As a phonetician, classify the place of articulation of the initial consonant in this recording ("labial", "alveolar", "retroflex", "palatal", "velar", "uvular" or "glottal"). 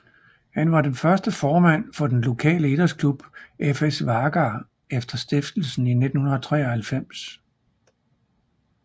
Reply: glottal